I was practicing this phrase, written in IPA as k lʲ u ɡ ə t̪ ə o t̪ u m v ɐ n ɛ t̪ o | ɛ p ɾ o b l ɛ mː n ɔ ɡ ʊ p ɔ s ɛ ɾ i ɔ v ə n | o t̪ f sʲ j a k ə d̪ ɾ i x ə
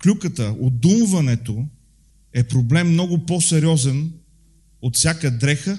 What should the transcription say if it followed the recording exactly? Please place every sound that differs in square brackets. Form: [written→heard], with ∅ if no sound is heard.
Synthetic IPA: k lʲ u [ɡ→k] ə t̪ ə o [t̪→d̪] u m v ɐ n ɛ t̪ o | ɛ p ɾ o b l ɛ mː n ɔ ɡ ʊ p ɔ s ɛ ɾ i ɔ [v→z] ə n | o t̪ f sʲ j a k ə d̪ ɾ [i→ɛ] x ə